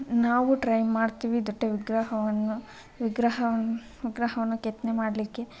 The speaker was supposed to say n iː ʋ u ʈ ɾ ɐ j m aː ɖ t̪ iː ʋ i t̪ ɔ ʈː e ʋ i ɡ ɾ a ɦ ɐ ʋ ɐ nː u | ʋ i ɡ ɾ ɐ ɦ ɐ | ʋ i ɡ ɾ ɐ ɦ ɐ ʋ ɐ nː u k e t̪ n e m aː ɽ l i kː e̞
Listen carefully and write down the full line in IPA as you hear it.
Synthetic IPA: n aː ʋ u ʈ ɾ ɐ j m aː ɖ t̪ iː ʋ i d̪ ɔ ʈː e ʋ i ɡ ɾ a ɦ ɐ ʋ ɐ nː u | ʋ i ɡ ɾ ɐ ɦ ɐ | ʋ i ɡ ɾ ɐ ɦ ɐ ʋ ɐ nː u k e t̪ n e m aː ɽ l i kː e̞